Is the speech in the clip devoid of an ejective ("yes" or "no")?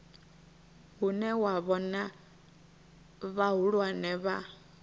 yes